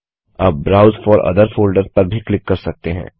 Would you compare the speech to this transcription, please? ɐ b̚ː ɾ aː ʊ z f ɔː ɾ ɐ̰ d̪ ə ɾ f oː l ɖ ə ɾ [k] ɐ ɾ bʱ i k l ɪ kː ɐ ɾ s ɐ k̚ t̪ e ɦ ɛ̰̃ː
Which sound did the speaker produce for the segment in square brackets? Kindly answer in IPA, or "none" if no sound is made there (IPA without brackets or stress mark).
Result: p